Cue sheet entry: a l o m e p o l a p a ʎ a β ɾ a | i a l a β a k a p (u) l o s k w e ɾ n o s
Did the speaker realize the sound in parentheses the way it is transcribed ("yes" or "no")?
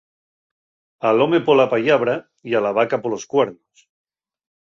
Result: no